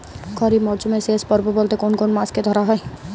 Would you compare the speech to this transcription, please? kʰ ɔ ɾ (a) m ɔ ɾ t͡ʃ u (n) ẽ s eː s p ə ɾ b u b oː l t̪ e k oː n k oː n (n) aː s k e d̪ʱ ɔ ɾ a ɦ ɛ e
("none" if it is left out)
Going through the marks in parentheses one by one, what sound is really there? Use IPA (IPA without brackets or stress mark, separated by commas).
i, m, m